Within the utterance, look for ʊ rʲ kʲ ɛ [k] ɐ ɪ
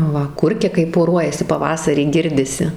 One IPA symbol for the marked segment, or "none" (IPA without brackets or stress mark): k